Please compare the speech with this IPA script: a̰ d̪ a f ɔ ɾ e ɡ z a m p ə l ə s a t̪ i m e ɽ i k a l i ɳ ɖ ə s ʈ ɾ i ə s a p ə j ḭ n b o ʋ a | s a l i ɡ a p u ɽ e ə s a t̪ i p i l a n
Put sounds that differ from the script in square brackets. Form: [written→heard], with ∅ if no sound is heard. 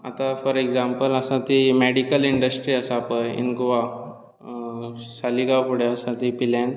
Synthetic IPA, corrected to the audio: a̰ [d̪→t̪] a f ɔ ɾ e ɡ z a m p ə l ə s a t̪ i m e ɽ i k [a→ə] l i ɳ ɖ ə s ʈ ɾ i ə s a p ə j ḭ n [b→ɡ] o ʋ a | s a l i ɡ a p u ɽ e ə s a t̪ i p i l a n